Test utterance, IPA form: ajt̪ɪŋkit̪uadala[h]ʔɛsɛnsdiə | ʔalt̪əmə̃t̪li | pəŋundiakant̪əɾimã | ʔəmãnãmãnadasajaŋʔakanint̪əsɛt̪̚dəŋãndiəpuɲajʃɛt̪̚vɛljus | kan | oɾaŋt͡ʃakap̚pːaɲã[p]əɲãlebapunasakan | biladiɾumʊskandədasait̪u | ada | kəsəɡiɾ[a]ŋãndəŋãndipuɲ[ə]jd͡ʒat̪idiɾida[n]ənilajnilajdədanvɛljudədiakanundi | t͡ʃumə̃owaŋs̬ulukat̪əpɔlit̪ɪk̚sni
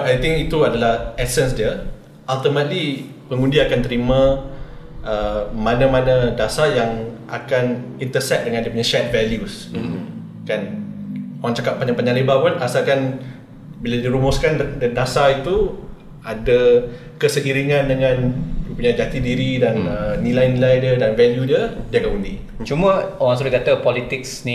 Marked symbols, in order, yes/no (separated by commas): yes, yes, no, no, yes